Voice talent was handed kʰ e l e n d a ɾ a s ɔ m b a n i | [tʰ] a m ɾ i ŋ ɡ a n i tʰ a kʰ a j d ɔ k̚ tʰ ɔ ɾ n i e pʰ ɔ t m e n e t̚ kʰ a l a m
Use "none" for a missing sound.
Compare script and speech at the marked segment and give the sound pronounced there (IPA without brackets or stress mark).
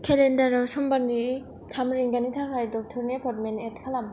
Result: tʰ